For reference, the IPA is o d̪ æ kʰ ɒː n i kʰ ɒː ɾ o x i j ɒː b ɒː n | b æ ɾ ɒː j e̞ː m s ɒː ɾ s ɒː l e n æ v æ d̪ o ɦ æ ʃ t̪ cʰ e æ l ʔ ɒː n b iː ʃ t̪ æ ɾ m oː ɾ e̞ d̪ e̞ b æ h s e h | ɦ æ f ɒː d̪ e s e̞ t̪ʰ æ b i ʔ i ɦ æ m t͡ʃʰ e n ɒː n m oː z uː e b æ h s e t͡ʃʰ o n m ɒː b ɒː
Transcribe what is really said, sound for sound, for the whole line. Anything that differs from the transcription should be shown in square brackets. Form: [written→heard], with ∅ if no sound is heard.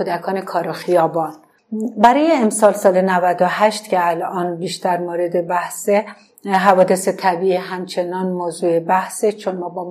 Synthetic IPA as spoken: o d̪ æ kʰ ɒː n [i→e] kʰ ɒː ɾ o x i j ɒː b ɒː n | b æ ɾ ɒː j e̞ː m s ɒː [ɾ→l] s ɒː l e n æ v æ d̪ o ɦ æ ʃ t̪ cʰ e æ l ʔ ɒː n b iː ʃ t̪ æ ɾ m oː ɾ e̞ d̪ e̞ b æ h s e [h→∅] | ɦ æ [f→v] ɒː d̪ e s e̞ t̪ʰ æ b i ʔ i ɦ æ m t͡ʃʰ e n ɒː n m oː z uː e b æ h s e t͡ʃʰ o n m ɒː b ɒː